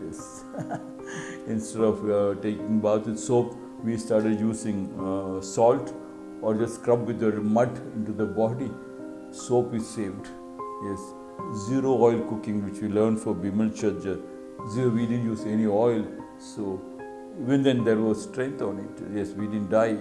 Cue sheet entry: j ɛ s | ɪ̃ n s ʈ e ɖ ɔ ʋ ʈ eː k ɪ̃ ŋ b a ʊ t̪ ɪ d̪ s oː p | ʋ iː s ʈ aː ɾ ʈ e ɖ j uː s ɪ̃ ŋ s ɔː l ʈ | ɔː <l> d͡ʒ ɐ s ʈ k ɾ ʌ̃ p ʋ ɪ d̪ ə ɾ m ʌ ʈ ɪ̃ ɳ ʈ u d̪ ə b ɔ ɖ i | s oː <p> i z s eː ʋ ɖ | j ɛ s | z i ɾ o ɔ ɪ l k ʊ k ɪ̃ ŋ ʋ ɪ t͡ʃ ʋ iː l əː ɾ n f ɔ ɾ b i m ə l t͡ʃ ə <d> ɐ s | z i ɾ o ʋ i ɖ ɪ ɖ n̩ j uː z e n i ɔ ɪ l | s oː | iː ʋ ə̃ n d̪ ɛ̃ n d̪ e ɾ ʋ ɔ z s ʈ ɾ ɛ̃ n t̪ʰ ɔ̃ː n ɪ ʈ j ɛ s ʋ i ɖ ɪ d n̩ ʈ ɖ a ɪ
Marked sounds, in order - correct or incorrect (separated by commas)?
incorrect, correct, incorrect